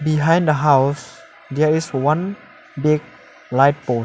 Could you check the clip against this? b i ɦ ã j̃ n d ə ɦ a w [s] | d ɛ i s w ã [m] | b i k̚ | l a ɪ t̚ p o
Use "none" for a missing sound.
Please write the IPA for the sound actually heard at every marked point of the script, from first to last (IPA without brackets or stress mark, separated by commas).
s, n